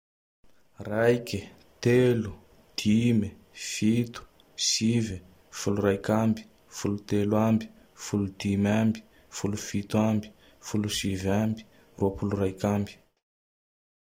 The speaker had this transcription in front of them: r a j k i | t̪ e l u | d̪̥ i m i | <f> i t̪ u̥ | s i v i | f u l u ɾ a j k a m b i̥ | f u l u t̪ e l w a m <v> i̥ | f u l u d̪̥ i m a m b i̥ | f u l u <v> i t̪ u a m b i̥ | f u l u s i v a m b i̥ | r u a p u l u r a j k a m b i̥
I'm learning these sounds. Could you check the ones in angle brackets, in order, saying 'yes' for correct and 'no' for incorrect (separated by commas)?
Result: yes, no, no